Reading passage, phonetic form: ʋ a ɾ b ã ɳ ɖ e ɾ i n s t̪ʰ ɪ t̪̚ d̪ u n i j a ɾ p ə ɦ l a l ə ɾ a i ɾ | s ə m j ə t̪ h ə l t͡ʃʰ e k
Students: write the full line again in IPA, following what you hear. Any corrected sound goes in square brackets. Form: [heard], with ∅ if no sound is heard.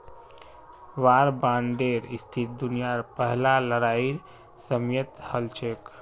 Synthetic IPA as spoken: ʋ a ɾ b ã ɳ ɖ e ɾ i [∅] s t̪ʰ [i] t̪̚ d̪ u n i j a ɾ p ə ɦ l a l ə ɾ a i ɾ | s ə m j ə t̪ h ə l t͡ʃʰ e k

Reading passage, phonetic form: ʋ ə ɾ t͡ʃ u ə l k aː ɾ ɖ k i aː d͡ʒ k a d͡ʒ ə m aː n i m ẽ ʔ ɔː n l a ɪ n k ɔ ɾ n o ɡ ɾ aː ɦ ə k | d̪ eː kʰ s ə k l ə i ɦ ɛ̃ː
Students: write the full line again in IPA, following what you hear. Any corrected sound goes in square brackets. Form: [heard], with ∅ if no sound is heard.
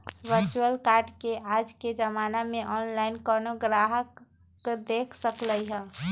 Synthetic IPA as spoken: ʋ ə ɾ t͡ʃ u ə l k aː ɾ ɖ k [e] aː d͡ʒ k [e] d͡ʒ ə m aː n [a] m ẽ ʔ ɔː n l a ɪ n k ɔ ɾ n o ɡ ɾ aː ɦ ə k | d̪ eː kʰ s ə k l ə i ɦ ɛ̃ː

